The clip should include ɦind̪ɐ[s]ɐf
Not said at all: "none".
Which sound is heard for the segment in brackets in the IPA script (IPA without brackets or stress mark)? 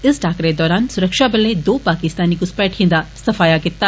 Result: s